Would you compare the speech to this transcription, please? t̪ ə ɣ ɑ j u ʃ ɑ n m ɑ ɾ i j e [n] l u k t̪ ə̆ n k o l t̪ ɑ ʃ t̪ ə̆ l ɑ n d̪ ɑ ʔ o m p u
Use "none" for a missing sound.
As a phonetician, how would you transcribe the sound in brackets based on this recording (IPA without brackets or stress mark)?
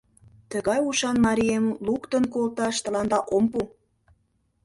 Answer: m